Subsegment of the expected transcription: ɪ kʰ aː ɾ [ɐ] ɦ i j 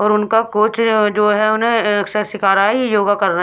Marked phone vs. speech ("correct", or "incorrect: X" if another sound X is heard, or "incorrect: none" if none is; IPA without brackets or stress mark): incorrect: a